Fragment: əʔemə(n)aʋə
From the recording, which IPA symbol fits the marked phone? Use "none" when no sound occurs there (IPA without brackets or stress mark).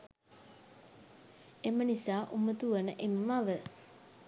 m